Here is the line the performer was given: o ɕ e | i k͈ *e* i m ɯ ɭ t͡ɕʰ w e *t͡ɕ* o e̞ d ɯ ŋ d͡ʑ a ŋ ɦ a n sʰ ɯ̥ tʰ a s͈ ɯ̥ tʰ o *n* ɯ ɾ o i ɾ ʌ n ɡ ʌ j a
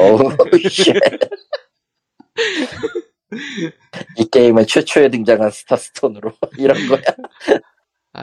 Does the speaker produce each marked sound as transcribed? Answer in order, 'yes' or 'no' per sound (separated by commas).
yes, no, yes